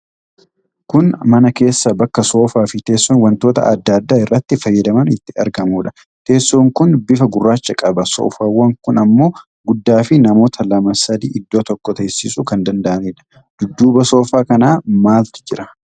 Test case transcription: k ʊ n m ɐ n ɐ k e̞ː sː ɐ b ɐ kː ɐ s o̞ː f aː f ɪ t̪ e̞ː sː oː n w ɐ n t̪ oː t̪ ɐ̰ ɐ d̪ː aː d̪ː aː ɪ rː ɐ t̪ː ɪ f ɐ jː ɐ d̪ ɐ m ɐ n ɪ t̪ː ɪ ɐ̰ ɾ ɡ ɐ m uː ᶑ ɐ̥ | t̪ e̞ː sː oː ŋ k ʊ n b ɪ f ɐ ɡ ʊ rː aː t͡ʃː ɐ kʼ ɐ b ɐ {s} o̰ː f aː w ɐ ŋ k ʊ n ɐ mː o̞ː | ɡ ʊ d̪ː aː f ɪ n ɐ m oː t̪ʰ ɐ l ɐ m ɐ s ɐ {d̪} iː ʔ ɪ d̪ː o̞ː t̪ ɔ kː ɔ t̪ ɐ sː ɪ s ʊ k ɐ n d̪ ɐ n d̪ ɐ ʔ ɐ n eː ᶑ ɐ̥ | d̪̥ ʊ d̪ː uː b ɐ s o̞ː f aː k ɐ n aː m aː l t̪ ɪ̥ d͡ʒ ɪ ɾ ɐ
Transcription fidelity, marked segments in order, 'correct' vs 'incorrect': correct, correct

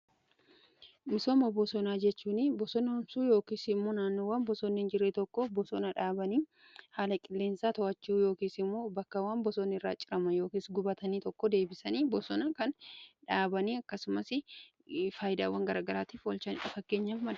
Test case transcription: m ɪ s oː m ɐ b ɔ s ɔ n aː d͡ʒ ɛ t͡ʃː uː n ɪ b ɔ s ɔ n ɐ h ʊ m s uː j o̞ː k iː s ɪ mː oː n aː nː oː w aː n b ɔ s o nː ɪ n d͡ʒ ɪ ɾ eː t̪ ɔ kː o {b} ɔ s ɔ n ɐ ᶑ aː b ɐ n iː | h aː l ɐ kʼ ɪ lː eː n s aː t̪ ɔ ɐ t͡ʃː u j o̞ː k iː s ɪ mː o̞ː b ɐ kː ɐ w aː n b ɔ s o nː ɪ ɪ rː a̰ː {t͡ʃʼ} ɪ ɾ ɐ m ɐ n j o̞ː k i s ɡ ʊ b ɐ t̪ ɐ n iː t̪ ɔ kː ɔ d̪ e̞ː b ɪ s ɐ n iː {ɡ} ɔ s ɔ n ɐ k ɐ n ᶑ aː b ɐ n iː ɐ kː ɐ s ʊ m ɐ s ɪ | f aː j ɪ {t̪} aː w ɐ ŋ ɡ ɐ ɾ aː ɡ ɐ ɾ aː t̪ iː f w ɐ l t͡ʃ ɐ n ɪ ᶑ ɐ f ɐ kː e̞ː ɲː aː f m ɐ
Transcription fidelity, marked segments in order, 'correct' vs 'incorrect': correct, correct, incorrect: b, incorrect: d̪

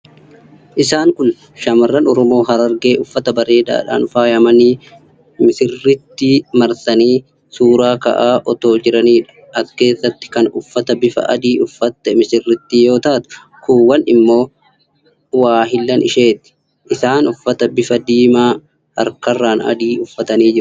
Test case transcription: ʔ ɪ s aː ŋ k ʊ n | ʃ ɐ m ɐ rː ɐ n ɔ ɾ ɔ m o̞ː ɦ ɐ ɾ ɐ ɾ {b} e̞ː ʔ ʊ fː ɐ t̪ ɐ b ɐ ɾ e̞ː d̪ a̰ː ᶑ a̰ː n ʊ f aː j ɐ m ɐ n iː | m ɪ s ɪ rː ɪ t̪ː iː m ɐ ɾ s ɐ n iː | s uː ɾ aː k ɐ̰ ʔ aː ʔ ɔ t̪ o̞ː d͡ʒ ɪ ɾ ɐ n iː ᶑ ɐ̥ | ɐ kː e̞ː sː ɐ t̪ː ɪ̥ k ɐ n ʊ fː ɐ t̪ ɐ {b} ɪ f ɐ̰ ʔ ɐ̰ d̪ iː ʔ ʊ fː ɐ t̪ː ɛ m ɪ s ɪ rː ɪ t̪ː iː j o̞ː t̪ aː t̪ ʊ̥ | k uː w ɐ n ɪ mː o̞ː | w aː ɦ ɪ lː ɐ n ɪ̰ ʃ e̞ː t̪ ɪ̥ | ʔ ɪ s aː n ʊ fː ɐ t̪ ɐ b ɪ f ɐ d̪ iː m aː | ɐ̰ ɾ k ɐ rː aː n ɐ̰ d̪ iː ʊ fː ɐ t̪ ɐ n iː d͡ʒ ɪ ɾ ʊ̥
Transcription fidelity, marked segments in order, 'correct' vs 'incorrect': incorrect: ɡ, correct

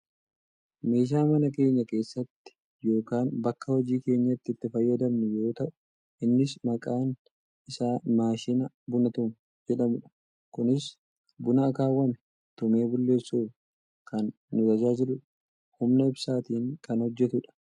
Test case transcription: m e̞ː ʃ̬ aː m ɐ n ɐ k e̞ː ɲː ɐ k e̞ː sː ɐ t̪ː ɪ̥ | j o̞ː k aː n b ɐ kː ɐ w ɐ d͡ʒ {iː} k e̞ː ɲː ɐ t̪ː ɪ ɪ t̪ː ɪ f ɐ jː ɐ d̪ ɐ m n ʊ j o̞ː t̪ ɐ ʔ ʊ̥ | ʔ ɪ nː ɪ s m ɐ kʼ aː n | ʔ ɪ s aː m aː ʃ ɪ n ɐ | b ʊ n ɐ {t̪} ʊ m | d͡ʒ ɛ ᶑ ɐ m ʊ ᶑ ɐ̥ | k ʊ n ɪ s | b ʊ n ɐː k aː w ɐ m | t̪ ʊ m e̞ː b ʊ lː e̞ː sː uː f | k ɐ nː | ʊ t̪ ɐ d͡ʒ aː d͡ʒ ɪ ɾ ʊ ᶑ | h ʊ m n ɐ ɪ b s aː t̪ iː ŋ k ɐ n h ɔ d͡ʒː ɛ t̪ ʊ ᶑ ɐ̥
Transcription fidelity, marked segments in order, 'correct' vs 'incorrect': correct, correct

